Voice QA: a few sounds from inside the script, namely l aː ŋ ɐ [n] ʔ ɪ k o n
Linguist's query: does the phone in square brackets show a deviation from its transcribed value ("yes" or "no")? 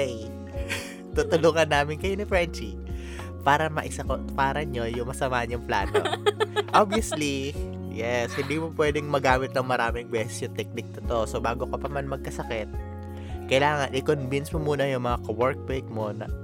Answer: no